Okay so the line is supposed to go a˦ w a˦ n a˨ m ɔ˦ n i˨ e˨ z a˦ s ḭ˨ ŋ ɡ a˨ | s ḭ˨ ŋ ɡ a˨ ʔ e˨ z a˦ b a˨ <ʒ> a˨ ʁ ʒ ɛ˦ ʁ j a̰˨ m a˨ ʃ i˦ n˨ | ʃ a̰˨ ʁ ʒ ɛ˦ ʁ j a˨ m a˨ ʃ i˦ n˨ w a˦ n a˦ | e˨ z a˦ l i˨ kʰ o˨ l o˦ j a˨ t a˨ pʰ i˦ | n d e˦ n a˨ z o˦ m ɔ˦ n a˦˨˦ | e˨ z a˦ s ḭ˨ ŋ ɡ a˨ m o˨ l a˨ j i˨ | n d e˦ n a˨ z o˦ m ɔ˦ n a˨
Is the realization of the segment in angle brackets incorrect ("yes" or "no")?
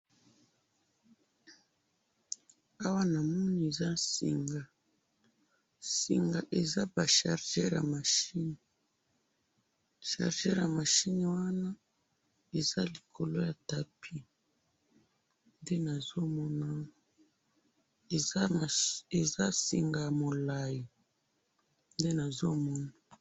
yes